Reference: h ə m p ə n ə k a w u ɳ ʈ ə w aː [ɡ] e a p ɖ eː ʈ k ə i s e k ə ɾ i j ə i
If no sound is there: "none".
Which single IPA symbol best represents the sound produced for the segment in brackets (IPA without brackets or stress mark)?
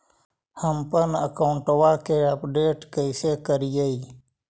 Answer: k